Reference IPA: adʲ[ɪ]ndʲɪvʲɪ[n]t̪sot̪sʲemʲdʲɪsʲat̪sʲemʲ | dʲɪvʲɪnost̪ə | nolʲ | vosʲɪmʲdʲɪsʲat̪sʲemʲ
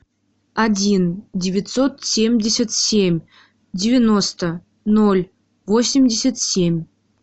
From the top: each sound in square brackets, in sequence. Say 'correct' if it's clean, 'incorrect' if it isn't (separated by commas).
incorrect, incorrect